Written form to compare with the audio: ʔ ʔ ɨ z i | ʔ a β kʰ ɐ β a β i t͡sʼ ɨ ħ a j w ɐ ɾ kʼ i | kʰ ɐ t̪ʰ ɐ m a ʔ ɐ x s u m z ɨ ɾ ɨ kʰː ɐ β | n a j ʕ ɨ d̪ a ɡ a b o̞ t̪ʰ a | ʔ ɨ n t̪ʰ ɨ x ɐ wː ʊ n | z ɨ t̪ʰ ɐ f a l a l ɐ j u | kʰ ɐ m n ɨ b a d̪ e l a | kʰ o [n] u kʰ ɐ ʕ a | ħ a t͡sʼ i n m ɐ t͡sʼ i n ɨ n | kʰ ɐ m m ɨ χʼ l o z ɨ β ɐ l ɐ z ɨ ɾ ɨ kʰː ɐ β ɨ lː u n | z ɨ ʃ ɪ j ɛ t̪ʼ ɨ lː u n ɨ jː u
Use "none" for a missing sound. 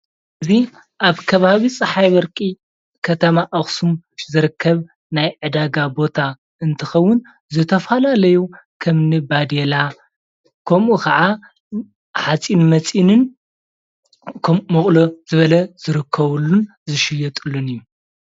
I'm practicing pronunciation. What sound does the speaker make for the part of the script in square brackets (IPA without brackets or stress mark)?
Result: m